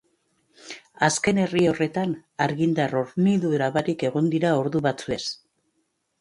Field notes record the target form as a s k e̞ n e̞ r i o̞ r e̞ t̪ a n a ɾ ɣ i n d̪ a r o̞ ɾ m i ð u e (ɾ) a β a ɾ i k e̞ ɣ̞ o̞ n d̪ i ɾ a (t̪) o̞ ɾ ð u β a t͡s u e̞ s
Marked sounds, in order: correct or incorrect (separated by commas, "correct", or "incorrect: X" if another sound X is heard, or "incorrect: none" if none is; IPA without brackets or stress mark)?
correct, incorrect: none